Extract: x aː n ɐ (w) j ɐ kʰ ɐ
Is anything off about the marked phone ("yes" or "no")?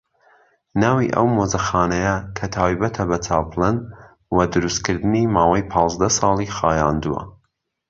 yes